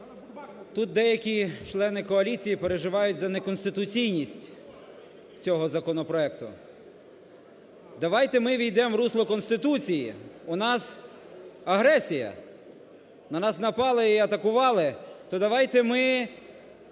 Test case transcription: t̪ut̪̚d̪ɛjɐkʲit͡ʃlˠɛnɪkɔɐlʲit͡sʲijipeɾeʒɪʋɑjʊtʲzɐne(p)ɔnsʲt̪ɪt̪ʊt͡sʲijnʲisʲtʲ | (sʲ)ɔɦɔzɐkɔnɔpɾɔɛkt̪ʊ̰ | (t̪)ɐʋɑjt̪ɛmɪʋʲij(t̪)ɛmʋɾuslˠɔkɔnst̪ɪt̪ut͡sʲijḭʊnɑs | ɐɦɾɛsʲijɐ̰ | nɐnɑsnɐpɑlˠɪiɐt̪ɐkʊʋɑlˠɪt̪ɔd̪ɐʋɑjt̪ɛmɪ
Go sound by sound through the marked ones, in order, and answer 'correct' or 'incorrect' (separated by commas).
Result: incorrect, incorrect, incorrect, incorrect